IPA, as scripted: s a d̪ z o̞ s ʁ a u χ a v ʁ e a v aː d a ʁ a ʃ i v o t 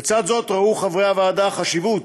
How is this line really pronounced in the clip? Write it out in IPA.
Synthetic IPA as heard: t͡s a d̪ z o̞ t ʁ a u χ a v ʁ e a v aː d a χ a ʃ i v u t